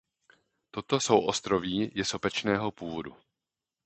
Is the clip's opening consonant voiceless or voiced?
voiceless